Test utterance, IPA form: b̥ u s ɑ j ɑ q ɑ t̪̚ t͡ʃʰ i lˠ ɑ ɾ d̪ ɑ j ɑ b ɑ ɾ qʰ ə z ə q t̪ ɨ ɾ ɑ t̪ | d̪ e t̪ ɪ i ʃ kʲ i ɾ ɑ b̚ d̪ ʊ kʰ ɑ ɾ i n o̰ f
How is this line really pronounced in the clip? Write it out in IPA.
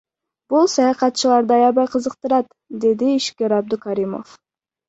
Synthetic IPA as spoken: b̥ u s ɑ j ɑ q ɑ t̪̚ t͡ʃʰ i lˠ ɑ ɾ d̪ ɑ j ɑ b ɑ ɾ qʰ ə z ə q t̪ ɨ ɾ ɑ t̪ | d̪ e d̪ ɪ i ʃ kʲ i ɾ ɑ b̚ d̪ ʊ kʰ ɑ ɾ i m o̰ f